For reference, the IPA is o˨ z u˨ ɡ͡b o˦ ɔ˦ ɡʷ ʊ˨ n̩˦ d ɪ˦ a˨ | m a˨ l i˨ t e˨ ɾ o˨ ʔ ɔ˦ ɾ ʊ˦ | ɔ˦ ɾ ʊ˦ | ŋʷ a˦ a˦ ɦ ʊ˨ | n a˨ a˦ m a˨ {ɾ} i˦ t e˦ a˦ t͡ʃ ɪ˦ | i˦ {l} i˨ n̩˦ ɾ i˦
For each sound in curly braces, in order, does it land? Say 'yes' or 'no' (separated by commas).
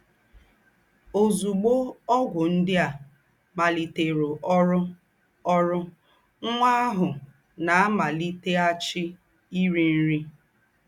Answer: no, no